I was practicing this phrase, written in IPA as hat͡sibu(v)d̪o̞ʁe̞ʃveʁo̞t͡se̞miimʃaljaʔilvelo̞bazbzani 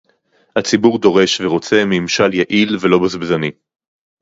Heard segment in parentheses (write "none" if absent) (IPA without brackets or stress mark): ʁ